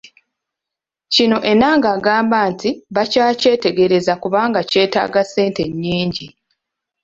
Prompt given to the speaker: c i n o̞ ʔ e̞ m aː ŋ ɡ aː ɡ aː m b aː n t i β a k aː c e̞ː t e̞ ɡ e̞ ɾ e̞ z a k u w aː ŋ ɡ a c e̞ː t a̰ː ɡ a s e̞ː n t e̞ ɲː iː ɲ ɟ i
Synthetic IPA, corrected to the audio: c i n o̞ ʔ e̞ n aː ŋ ɡ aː ɡ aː m b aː n t i β a c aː c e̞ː t e̞ ɡ e̞ ɾ e̞ z a k u β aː ŋ ɡ a c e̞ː t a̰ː ɡ a s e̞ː n t e̞ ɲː iː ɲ ɟ i